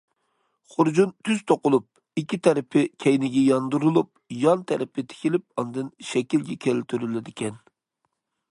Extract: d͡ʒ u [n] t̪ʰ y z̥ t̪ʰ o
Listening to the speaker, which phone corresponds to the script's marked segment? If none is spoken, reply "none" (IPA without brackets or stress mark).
n